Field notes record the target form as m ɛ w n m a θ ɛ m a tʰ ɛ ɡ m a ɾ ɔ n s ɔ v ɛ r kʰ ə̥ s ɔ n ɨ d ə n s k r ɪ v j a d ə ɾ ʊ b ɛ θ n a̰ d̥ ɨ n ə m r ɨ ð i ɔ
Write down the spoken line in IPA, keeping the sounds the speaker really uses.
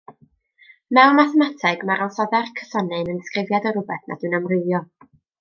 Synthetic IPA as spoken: m ɛ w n m a θ ɛ m a tʰ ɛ ɡ m a ɾ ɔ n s ɔ ð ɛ r kʰ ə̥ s ɔ n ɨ n ə n s k r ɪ v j a d ə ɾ ʊ b ɛ θ n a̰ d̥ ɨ n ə m r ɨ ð j ɔ